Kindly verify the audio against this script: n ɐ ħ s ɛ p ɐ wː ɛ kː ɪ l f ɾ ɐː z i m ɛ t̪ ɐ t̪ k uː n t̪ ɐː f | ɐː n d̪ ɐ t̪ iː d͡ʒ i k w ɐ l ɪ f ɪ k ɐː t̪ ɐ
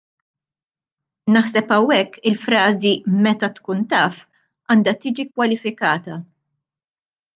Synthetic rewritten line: n ɐ ħ s ɛ p ɐ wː ɛ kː ɪ l f ɾ ɐː z i m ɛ t̪ ɐ t̪ k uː n t̪ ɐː f | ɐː n d̪ ɐ t̪ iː d͡ʒ i k w ɐ l ɪ f ɪ k ɐː t̪ ɐ